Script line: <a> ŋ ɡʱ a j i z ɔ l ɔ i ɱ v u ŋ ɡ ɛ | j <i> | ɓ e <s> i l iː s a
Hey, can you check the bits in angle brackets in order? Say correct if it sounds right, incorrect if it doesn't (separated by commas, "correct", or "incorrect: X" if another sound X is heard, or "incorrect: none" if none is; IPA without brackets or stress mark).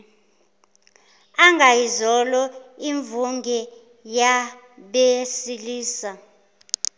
correct, incorrect: a, correct